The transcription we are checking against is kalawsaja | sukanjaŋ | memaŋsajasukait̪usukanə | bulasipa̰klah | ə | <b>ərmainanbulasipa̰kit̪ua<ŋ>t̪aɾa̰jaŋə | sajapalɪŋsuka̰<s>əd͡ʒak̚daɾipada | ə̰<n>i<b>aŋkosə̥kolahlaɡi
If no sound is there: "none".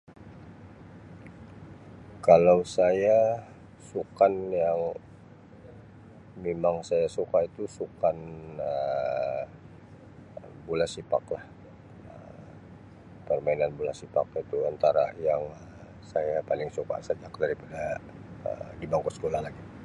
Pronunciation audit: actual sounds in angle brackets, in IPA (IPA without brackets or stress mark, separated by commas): p, n, s, d, b